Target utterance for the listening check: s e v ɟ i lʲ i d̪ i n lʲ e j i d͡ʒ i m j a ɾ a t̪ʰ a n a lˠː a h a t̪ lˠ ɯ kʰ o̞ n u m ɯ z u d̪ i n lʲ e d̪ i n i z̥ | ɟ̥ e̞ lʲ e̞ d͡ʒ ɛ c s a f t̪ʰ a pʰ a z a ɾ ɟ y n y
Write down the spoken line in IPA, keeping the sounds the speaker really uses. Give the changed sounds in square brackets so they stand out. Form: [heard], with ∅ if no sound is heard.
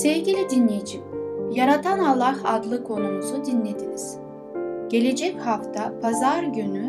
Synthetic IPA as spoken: s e v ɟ i lʲ i d̪ i n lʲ e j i d͡ʒ i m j a ɾ a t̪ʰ a n a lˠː a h a [d̪] lˠ ɯ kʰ o̞ n u m [u] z u d̪ i n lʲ e d̪ i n i z̥ | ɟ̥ e̞ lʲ e̞ d͡ʒ ɛ c [h] a f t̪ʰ a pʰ a z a ɾ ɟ y n y